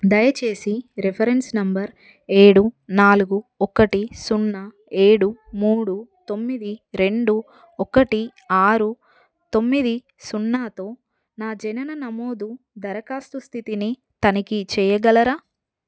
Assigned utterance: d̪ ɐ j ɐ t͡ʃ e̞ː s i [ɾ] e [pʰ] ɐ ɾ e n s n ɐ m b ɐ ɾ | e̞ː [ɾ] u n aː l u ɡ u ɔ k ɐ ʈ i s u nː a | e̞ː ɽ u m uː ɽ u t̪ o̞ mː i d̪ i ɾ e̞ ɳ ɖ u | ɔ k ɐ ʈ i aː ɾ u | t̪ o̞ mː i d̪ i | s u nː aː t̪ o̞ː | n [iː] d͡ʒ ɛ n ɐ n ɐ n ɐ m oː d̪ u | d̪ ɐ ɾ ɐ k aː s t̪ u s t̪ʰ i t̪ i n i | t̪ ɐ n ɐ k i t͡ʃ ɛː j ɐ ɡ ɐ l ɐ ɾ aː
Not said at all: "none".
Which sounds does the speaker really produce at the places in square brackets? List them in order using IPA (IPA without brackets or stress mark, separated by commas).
ɾ, pʰ, ɽ, aː